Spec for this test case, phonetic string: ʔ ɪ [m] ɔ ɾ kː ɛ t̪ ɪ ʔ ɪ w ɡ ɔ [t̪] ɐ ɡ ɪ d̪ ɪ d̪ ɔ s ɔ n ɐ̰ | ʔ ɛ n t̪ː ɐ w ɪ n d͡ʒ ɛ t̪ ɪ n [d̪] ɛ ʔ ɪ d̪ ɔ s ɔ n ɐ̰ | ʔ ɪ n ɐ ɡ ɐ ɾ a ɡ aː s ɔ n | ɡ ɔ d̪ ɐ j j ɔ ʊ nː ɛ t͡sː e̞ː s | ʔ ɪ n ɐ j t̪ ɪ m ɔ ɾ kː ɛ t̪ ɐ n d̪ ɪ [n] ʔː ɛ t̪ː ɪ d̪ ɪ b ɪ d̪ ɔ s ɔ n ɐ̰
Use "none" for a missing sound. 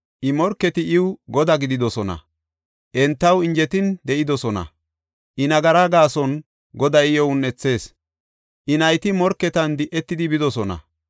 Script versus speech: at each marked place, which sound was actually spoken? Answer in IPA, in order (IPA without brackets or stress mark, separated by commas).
m, d̪, d̪, none